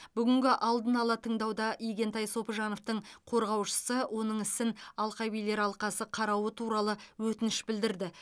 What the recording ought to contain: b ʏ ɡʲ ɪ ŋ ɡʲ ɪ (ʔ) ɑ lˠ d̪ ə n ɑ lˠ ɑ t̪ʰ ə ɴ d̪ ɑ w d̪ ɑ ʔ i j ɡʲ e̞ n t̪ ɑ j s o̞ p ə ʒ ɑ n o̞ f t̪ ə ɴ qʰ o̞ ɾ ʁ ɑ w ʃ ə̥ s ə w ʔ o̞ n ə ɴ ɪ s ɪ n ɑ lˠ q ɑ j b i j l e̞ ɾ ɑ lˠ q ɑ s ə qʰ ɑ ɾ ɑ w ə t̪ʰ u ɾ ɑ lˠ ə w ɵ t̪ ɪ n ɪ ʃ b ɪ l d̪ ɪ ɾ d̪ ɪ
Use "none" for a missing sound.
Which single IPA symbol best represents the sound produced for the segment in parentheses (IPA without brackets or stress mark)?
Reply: ʔ